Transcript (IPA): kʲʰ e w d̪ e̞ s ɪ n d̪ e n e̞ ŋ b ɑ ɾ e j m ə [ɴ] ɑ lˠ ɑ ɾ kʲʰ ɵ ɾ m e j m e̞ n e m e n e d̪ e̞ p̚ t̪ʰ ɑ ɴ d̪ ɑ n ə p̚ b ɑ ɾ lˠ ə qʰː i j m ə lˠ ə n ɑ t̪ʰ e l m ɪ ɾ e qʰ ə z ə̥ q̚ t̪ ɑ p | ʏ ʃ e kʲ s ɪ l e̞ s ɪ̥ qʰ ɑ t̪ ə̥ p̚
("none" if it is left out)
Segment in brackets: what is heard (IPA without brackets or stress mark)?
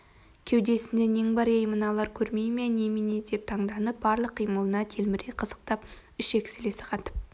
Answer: n